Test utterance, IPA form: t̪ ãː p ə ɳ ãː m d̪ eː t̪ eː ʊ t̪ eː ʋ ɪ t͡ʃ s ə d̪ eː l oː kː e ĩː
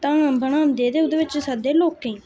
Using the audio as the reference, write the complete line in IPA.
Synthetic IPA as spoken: t̪ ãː b ə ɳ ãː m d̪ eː d̪ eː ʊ d̪ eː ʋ ɪ t͡ʃ s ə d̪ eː l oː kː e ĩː